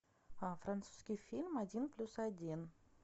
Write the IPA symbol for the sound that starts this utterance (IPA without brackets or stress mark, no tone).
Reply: f